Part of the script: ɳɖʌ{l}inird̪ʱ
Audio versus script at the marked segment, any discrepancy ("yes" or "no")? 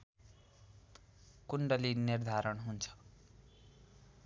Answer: no